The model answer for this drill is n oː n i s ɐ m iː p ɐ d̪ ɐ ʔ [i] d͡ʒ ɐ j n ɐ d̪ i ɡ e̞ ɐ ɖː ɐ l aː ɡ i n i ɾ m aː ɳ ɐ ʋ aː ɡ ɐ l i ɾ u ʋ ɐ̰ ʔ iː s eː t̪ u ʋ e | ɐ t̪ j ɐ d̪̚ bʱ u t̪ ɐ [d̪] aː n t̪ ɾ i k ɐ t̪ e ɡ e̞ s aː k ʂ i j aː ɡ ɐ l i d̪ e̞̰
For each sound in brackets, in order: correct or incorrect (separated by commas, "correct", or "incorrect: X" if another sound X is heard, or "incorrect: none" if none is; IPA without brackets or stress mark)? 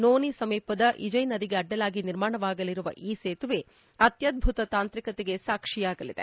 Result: correct, incorrect: t̪